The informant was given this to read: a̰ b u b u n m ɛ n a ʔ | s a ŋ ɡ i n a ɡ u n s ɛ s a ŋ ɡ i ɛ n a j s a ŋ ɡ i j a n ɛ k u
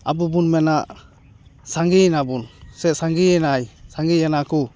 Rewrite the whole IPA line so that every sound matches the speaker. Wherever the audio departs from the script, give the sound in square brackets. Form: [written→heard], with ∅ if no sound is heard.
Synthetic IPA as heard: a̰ b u b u n m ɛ n a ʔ | s a ŋ ɡ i n a [ɡ→b] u n s ɛ s a ŋ ɡ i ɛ n a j s a ŋ ɡ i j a n [ɛ→a] k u